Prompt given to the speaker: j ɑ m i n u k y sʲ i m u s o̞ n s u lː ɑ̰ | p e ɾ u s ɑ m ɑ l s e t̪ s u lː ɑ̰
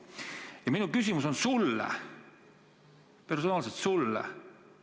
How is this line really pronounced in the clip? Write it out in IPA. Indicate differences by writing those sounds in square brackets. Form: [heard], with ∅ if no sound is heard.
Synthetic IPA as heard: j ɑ m i n u k y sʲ i m u s o̞ n s u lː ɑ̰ | p e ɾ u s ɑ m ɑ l s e t̪ s u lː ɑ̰